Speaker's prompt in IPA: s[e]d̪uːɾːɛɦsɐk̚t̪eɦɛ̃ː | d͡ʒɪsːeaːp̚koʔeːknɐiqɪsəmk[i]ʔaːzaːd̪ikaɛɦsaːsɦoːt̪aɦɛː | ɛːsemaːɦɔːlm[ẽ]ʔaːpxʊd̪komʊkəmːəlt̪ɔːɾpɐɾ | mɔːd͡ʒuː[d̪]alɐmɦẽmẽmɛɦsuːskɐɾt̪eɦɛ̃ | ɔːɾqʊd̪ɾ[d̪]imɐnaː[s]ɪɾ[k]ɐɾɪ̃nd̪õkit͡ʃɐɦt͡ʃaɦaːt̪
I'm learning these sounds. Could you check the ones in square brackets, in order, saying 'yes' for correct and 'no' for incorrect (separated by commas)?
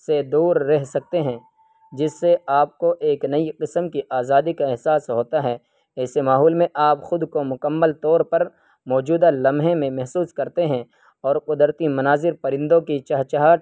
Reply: yes, yes, yes, yes, no, no, no